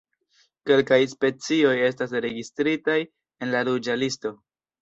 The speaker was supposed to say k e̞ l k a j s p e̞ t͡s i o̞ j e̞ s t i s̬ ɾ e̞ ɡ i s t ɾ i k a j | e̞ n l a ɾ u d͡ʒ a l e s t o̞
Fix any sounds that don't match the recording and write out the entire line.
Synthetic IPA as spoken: k e̞ l k a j s p e̞ t͡s i o̞ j e̞ s t a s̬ ɾ e̞ ɡ i s t ɾ i t a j | e̞ n l a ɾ u d͡ʒ a l i s t o̞